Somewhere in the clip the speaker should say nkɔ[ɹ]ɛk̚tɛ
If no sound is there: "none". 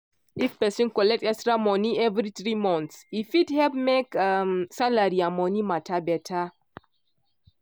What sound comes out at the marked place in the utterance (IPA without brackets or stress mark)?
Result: l